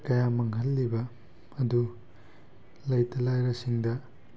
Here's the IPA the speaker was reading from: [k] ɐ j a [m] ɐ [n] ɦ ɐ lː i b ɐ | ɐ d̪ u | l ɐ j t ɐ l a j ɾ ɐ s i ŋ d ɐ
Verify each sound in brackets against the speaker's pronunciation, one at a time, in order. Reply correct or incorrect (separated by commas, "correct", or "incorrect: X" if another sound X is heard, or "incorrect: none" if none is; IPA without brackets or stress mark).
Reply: correct, correct, incorrect: ŋ